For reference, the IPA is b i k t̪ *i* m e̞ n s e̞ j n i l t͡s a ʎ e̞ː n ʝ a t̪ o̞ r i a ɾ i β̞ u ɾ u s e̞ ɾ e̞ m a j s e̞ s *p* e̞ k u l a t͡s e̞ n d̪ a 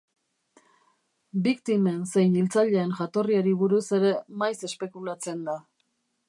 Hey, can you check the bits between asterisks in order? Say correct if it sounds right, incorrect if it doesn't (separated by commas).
correct, correct